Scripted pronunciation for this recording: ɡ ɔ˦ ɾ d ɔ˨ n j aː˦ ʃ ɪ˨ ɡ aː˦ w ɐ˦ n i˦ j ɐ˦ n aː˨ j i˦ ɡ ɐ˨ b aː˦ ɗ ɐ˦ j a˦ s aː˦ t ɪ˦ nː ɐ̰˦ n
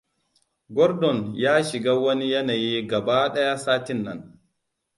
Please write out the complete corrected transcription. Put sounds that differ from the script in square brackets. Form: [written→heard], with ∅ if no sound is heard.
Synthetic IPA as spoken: ɡ ɔ˦ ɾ d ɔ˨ n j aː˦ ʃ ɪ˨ ɡ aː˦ w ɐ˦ n i˦ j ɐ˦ n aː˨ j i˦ ɡ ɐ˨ b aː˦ ɗ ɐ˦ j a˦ s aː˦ t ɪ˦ nː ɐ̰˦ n